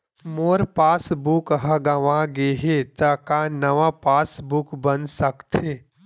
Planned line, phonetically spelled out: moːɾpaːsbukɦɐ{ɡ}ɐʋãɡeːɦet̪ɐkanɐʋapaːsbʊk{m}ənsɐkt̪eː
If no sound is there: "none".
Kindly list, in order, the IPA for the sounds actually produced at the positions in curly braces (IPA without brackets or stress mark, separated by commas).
ɡ, b